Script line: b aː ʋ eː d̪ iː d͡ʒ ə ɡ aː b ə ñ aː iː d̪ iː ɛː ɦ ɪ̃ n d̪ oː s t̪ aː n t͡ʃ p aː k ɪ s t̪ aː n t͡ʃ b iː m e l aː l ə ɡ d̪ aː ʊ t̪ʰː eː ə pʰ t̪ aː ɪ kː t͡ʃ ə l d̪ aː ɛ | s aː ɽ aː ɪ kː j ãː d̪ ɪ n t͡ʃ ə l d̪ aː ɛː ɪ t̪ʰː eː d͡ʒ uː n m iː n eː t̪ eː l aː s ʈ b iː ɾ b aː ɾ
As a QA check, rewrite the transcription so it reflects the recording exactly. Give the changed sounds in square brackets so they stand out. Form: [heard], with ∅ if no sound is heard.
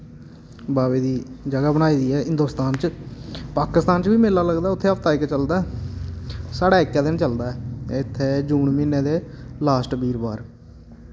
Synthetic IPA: b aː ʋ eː d̪ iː d͡ʒ ə ɡ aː b ə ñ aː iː d̪ iː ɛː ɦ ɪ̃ n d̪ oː s t̪ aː n t͡ʃ p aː k ɪ s t̪ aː n t͡ʃ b iː m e l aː l ə ɡ d̪ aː ʊ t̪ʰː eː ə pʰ t̪ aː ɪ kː t͡ʃ ə l d̪ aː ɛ | s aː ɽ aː ɪ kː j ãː d̪ ɪ n t͡ʃ ə l d̪ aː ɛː ɪ t̪ʰː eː d͡ʒ uː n m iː n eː [d̪] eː l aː s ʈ b iː ɾ b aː ɾ